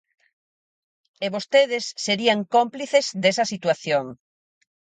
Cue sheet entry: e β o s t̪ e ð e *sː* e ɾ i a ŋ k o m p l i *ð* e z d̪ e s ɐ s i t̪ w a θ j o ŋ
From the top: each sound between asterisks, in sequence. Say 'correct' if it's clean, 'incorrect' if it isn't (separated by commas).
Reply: correct, incorrect